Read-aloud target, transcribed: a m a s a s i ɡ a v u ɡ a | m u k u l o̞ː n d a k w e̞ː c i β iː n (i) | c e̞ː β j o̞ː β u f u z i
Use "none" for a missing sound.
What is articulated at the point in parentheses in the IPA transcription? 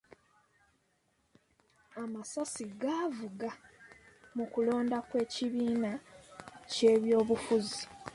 a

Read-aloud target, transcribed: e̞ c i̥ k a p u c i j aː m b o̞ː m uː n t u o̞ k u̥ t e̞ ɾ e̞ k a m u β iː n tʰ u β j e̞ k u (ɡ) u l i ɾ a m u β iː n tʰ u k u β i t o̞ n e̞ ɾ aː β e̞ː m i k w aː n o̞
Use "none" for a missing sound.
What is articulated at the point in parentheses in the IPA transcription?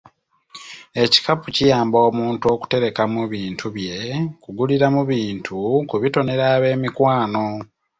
ɡ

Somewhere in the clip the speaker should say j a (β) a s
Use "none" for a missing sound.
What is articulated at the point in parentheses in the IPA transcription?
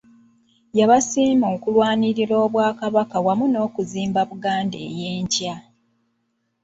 β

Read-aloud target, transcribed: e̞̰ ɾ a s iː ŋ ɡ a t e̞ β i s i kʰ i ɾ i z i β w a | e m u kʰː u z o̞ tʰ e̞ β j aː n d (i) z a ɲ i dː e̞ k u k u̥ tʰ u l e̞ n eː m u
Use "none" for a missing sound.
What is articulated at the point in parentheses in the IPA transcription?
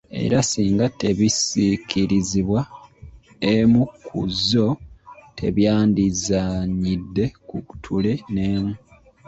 i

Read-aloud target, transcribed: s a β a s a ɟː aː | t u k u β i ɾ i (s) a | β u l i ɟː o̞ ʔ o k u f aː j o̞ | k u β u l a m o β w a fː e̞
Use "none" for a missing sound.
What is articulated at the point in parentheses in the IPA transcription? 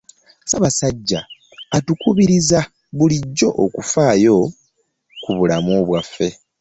z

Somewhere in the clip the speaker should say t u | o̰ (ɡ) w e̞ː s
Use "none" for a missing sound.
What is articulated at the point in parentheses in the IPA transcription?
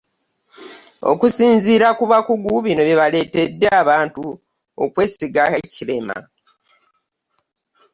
k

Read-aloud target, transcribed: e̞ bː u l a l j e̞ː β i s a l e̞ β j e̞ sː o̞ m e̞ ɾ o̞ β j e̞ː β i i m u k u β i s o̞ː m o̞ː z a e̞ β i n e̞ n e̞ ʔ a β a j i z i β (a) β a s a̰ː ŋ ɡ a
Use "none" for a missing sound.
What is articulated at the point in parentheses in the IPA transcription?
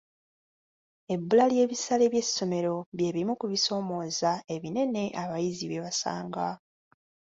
e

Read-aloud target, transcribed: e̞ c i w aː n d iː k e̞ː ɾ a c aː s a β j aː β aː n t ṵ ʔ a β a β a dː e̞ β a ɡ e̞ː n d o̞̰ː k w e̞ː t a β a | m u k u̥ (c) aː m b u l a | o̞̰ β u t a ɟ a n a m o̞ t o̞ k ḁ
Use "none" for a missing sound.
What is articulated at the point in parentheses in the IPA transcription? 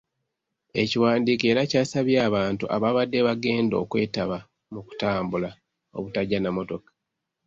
t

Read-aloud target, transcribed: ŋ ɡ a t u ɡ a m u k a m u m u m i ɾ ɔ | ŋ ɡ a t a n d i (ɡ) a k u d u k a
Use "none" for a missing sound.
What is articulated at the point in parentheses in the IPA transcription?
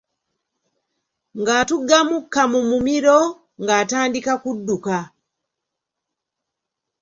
k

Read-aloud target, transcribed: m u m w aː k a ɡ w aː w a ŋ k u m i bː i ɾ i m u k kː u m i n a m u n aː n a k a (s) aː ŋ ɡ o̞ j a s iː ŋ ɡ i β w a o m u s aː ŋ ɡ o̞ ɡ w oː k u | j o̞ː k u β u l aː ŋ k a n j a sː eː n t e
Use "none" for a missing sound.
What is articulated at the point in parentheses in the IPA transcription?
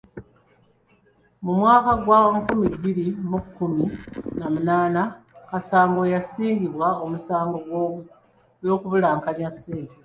s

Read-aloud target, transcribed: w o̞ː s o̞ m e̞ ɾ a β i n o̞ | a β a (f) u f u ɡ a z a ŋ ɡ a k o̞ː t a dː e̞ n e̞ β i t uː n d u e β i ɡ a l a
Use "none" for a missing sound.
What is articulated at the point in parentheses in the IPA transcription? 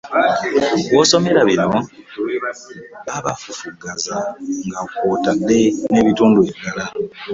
f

